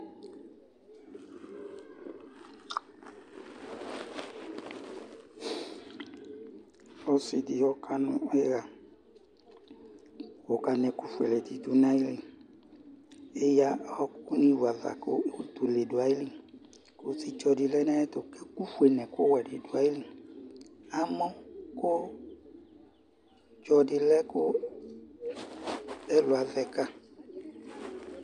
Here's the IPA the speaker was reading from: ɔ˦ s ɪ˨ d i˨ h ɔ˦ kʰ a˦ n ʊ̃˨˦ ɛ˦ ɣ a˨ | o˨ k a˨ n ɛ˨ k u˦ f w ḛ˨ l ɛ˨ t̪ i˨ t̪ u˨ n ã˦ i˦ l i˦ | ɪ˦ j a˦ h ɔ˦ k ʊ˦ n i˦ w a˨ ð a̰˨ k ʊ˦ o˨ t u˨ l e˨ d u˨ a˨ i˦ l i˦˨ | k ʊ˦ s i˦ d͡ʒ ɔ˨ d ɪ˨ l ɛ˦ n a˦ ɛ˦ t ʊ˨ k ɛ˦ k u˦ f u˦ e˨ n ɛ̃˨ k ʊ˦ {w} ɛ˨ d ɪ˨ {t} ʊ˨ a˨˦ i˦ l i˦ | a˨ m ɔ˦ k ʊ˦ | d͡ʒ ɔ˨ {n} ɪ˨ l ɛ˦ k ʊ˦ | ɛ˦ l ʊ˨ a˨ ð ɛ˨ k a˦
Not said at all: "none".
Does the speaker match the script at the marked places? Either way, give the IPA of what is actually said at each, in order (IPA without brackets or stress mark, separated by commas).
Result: w, d, d